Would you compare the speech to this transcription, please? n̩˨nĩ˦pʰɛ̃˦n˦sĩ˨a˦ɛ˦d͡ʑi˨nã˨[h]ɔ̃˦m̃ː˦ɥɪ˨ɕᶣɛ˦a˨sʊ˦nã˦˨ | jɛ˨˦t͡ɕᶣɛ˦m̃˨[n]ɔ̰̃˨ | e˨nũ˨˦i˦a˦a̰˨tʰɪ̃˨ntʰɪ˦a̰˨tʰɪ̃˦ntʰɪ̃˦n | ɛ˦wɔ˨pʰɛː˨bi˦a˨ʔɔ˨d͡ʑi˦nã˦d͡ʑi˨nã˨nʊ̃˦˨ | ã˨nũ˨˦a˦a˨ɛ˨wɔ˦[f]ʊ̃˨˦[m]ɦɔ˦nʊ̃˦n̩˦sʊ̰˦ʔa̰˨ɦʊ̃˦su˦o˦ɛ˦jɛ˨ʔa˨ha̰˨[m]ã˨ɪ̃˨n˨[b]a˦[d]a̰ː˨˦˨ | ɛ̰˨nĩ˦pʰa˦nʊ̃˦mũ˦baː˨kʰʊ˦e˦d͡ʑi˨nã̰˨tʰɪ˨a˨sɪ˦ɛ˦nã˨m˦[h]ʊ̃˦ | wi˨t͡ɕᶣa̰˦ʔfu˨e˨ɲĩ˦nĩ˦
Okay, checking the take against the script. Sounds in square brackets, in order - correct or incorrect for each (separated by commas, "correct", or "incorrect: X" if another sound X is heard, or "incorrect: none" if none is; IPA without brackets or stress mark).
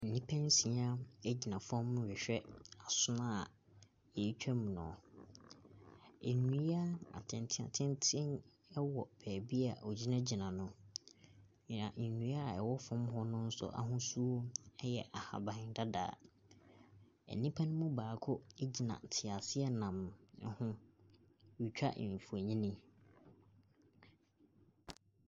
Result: incorrect: f, correct, correct, correct, incorrect: b, incorrect: d, correct, correct